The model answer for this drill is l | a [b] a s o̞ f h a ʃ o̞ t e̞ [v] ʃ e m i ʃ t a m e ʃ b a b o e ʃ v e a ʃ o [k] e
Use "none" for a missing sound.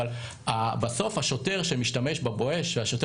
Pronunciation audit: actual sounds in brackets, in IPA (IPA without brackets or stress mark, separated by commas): b, ʁ, t